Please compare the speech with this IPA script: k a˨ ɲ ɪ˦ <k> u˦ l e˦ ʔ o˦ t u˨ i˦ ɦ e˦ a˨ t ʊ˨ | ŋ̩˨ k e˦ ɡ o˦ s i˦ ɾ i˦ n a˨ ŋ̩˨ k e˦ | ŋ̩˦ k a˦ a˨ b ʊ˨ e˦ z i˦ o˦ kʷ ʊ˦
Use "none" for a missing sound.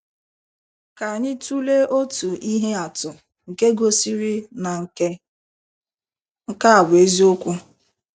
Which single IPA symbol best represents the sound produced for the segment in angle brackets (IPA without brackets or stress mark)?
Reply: t